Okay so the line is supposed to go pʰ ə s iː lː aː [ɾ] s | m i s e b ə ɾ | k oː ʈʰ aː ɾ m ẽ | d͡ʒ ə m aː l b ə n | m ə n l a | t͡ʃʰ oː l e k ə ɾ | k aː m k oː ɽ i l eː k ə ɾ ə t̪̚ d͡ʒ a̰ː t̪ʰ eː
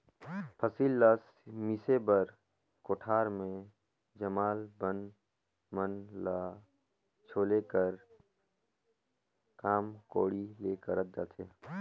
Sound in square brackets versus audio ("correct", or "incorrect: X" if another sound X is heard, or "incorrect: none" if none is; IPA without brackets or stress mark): incorrect: none